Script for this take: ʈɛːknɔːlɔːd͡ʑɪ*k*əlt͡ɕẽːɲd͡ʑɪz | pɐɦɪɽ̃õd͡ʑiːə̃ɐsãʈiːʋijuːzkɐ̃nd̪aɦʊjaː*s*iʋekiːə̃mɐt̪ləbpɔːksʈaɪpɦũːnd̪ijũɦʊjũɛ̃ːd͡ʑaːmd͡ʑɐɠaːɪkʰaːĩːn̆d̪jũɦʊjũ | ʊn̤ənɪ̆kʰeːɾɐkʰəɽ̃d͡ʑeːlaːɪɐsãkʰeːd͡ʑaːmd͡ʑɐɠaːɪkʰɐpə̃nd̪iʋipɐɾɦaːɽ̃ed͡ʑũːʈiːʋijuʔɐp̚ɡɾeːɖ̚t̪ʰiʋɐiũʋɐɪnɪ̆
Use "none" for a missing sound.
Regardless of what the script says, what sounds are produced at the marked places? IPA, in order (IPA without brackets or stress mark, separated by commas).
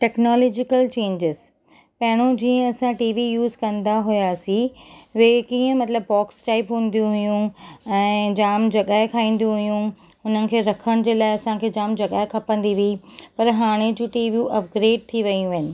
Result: k, s